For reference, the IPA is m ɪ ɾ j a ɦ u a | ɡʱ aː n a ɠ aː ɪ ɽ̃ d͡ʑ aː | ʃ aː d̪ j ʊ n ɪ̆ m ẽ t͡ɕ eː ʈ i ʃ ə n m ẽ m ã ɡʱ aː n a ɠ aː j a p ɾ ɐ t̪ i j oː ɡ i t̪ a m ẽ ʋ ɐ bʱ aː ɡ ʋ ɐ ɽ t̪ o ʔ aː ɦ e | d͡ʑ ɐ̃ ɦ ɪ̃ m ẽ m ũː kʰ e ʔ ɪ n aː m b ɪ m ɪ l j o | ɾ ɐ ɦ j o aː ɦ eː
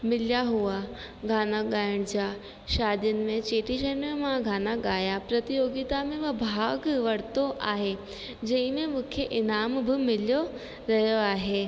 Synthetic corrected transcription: m ɪ l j a ɦ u a | ɡʱ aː n a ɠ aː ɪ ɽ̃ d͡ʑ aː | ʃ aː d̪ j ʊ n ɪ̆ m ẽ t͡ɕ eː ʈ i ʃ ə n m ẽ m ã ɡʱ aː n a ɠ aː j a p ɾ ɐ t̪ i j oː ɡ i t̪ a m ẽ ʋ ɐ bʱ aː ɡ ʋ ɐ ɽ t̪ o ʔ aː ɦ e | d͡ʑ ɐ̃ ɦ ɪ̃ m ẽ m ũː kʰ e ʔ ɪ n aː m b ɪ m ɪ l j o | ɾ ɐ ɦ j o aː ɦ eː